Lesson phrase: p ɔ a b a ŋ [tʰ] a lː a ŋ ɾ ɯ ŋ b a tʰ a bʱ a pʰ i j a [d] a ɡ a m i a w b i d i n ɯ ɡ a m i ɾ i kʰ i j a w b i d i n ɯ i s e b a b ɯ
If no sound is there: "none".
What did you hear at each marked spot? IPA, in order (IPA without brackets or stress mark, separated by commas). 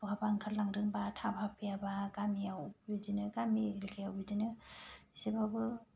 kʰ, b